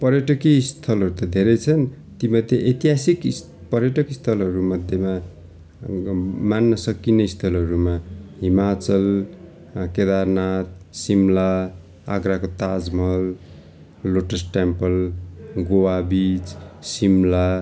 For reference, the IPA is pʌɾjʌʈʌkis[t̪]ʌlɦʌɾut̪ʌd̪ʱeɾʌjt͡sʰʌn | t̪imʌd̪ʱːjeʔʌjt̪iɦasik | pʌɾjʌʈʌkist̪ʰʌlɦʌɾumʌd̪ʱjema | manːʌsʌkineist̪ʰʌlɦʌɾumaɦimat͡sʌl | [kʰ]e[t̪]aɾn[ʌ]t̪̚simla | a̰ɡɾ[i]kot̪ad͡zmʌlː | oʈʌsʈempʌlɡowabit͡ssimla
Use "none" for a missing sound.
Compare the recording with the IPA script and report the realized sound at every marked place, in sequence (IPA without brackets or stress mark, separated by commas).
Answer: t̪ʰ, k, d̪, a, a